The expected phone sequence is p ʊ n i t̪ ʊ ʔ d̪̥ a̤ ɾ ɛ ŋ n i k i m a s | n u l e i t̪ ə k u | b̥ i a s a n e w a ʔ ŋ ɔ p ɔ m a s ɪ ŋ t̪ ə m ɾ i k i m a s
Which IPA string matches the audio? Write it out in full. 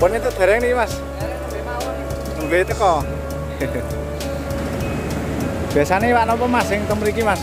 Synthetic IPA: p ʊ n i t̪ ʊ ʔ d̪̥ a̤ ɾ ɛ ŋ n i k i m a s | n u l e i t̪ ə k ɔ | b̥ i a s a n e w a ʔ n ɔ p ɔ m a s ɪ ŋ t̪ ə m ɾ i k i m a s